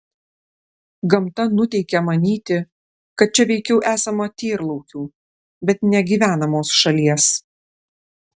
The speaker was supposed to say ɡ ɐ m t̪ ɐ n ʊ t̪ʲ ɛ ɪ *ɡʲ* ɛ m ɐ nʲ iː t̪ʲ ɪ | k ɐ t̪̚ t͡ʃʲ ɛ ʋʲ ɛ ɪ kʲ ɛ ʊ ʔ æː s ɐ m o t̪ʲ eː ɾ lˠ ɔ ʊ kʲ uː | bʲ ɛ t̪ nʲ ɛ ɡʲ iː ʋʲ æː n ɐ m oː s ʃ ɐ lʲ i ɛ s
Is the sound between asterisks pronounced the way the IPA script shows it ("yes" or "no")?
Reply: no